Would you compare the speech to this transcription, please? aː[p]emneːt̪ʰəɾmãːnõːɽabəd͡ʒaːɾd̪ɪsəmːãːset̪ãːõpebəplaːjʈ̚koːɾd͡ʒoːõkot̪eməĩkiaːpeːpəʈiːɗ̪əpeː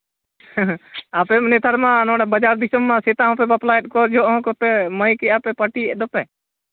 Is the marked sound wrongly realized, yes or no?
no